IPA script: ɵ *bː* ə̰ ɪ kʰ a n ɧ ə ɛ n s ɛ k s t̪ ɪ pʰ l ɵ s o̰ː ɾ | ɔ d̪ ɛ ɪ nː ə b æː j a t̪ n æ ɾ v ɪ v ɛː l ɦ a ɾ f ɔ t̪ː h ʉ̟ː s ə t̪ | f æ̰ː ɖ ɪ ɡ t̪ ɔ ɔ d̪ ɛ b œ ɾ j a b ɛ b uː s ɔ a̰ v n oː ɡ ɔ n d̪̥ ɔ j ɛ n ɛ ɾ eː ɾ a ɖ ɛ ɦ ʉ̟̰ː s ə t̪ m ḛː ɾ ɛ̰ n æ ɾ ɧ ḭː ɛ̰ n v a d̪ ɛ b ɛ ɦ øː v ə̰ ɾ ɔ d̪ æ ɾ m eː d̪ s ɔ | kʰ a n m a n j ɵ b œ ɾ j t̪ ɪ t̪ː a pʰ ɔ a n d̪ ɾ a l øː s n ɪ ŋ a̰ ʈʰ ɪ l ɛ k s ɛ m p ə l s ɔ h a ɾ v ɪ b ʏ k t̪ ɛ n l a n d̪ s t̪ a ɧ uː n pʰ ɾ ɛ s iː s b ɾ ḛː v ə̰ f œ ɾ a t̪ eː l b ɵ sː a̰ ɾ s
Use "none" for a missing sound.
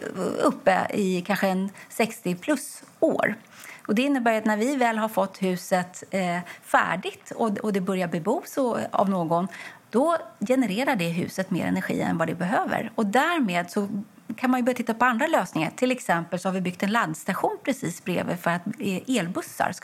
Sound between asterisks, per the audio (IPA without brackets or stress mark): pː